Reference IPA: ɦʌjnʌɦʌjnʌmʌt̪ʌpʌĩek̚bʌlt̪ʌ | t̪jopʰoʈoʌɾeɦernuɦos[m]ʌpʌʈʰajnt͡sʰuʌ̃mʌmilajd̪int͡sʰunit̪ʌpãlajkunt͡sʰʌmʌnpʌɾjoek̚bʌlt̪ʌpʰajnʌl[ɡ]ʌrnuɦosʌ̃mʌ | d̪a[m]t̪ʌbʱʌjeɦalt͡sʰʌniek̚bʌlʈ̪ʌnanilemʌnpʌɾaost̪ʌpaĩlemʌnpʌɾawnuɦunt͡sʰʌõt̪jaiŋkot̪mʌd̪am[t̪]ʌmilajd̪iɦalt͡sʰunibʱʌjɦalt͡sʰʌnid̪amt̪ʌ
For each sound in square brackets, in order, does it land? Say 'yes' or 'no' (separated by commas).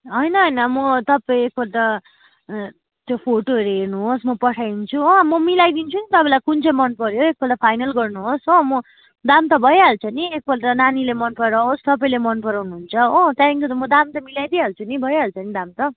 yes, yes, yes, yes